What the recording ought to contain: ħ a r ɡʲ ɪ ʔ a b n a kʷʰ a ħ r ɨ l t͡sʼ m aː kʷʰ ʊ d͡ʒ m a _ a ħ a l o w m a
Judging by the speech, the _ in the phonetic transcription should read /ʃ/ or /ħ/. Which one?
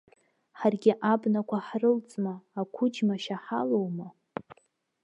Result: ʃ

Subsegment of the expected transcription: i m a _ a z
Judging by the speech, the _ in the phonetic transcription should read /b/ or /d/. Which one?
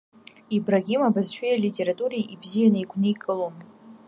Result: b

